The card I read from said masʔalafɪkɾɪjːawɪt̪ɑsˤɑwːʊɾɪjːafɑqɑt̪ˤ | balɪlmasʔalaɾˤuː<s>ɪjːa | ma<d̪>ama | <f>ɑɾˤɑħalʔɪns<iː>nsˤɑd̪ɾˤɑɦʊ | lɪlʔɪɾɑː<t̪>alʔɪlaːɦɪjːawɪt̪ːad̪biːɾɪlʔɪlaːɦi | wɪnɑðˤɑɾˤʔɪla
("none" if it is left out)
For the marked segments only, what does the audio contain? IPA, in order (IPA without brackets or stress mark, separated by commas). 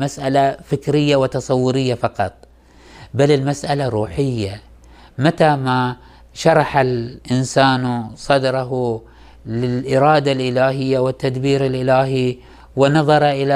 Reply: ħ, t̪, ʃ, aː, d̪